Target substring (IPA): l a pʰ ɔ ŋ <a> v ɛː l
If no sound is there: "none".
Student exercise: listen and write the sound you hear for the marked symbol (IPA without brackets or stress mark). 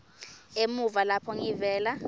i